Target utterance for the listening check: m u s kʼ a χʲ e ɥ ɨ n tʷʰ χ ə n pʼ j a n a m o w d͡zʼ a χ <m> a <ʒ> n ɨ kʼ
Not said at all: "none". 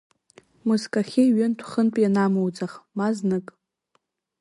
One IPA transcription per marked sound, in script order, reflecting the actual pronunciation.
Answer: m, z

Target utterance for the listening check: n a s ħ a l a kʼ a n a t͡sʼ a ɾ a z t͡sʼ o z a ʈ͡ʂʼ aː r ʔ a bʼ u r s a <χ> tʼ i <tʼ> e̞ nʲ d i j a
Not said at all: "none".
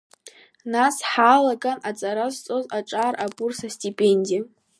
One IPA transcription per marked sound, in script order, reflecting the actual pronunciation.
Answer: s, pʼ

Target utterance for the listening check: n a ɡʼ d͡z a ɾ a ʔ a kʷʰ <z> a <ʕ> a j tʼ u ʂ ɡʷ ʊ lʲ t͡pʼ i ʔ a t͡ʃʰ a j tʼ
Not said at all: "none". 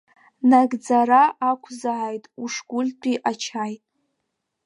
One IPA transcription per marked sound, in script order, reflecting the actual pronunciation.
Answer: z, ʕ

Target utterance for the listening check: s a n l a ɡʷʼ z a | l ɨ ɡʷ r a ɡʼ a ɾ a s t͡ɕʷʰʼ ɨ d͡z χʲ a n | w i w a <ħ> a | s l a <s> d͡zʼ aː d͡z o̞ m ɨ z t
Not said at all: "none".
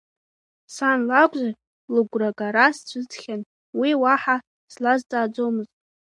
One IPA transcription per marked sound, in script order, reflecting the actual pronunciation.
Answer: ħ, z

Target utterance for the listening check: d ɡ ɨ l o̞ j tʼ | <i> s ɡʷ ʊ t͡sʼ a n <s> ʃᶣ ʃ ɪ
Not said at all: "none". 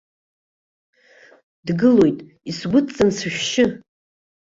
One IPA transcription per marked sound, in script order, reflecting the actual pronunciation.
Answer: i, s

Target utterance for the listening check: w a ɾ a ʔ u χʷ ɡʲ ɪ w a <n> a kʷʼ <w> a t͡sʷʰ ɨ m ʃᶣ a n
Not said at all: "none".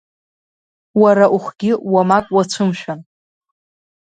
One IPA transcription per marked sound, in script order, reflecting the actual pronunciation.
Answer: m, w

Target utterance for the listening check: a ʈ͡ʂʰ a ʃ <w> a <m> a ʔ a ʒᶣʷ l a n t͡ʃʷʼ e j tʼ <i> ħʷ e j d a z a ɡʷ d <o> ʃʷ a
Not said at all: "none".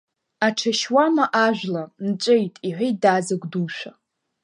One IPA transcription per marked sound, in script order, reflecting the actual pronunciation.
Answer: w, m, i, u

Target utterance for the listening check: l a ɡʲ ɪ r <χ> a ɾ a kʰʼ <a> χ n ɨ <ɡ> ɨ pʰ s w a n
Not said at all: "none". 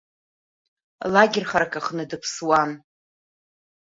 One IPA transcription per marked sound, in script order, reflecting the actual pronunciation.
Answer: χ, a, d

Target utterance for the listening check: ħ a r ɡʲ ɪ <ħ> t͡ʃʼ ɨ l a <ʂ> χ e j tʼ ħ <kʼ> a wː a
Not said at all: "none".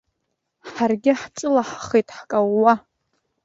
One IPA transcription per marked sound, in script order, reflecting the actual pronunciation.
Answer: ħ, ħ, kʼ

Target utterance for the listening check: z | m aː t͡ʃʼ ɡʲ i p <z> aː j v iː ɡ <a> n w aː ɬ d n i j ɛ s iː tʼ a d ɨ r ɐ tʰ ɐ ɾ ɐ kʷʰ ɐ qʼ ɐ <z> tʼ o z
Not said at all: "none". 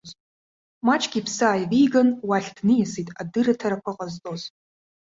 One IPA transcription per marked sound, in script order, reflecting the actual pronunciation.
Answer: s, ɐ, z

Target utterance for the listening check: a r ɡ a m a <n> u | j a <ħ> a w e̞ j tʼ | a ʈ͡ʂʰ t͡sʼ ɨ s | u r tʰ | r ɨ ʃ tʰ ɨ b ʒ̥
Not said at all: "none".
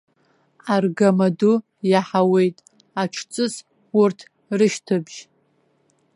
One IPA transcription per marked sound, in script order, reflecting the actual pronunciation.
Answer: d, ħ

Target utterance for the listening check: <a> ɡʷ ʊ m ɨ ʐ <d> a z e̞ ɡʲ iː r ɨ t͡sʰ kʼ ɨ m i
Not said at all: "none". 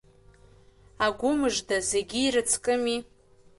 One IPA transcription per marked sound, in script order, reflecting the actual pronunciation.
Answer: a, d

